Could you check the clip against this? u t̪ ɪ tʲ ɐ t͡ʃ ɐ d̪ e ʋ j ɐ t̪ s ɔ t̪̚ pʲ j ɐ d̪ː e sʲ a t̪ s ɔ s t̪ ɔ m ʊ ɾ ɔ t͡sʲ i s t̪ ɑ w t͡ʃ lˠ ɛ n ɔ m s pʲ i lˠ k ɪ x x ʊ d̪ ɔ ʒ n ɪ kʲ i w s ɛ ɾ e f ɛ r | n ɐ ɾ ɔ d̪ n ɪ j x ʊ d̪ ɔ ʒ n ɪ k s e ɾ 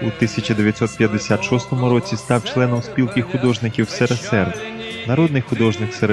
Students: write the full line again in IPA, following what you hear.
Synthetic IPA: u t̪ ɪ sʲ ɐ t͡ʃ ɐ d̪ e ʋ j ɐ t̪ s ɔ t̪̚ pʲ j ɐ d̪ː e sʲ a t̪ ʃ ɔ s t̪ ɔ m ʊ ɾ ɔ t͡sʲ i s t̪ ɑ w t͡ʃ lˠ ɛ n ɔ m s pʲ i lˠ k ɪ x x ʊ d̪ ɔ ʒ n ɪ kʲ i w s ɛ ɾ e s ɛ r | n ɐ ɾ ɔ d̪ n ɪ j x ʊ d̪ ɔ ʒ n ɪ k s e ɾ